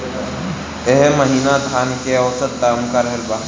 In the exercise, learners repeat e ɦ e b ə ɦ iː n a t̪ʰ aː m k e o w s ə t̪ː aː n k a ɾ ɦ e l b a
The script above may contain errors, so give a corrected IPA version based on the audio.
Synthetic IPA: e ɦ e m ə ɦ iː n a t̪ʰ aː n k e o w s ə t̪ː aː m k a ɾ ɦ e l b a